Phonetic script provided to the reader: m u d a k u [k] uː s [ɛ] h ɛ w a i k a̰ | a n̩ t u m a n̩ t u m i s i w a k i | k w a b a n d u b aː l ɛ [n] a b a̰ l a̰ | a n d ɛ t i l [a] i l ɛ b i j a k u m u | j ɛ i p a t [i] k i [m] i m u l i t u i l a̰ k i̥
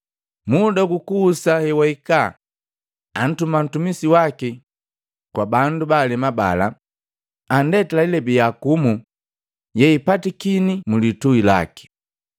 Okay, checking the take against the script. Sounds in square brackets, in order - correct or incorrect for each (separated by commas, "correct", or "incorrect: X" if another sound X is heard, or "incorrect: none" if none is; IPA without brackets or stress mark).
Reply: correct, incorrect: a, incorrect: m, correct, correct, incorrect: n